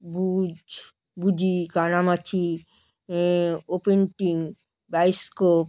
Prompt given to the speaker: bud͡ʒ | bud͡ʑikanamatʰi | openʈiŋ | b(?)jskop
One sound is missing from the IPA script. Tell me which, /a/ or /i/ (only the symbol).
a